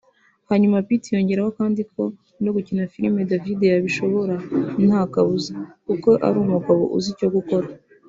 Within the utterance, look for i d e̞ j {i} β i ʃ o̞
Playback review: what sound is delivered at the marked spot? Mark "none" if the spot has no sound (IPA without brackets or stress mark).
a